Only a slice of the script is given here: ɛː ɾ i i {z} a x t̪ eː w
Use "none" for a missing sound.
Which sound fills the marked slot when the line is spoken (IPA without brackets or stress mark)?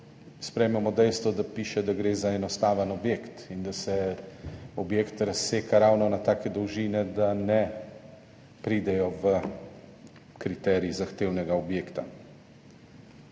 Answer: z